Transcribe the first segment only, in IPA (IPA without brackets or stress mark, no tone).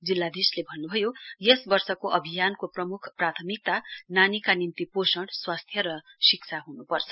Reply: d͡z